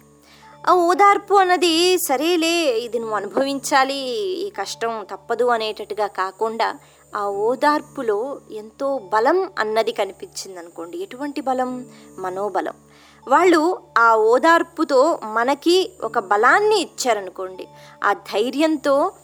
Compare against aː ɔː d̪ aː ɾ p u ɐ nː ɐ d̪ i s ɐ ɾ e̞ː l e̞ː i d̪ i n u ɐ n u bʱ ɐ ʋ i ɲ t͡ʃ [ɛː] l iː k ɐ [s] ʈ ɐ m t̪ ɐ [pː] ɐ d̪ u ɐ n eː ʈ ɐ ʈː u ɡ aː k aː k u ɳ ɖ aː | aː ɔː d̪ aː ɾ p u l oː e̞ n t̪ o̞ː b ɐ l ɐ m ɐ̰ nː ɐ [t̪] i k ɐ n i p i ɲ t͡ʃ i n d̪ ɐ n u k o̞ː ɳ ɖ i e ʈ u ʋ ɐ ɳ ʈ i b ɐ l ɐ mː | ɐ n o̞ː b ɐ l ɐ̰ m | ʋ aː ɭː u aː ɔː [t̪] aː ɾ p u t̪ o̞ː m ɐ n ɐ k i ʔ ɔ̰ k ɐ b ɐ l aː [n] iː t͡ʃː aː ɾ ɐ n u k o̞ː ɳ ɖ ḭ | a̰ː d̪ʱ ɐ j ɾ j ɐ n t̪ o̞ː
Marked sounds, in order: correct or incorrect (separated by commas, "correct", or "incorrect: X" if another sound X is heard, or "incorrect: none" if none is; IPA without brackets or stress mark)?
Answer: incorrect: aː, incorrect: ʂ, correct, incorrect: d̪, incorrect: d̪, incorrect: nː